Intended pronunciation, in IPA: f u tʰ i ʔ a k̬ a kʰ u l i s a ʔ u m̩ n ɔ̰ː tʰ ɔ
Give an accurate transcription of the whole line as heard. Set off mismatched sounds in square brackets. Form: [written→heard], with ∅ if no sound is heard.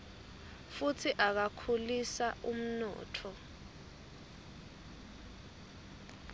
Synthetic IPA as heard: f u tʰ i ʔ a k̬ a kʰ u l i s a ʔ u m̩ n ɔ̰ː tʰ ɔ